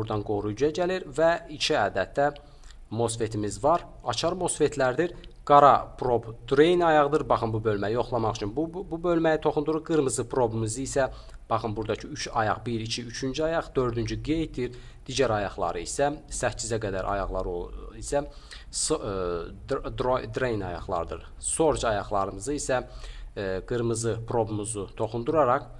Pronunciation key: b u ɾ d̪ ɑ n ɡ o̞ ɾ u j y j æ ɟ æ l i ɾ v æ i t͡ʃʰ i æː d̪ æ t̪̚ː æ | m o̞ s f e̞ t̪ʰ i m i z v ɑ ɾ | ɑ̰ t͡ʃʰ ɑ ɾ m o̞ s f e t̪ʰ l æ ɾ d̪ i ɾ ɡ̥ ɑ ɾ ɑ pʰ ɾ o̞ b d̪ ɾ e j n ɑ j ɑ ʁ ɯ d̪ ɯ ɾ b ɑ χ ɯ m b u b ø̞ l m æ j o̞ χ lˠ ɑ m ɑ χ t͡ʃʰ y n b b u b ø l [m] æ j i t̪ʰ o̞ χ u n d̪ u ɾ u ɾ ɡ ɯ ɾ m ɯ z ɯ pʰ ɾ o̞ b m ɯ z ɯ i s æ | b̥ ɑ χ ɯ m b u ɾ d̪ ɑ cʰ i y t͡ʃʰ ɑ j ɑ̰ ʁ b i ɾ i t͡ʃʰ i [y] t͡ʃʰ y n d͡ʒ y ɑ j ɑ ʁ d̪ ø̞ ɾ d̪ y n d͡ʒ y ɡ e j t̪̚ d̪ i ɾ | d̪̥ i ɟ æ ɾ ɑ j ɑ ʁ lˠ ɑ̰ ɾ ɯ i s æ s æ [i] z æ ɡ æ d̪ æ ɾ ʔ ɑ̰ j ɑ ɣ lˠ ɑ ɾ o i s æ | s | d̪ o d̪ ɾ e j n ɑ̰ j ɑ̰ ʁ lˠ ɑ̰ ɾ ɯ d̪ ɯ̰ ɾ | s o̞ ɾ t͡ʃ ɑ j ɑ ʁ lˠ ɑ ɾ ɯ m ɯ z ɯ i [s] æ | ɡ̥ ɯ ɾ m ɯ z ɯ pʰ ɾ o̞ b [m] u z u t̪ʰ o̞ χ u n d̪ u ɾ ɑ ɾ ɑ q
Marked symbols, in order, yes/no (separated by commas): yes, yes, yes, yes, yes